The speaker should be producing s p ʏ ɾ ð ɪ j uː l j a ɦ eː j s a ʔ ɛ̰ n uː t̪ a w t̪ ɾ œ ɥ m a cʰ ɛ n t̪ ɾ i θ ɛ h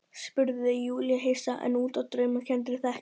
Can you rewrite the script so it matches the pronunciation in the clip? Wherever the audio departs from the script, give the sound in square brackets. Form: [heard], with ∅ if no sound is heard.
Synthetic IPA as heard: s p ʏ ɾ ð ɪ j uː l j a ɦ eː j s a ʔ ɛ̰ n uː t̪ a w t̪ ɾ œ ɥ m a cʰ ɛ n t̪ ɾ [ɪ] θ ɛ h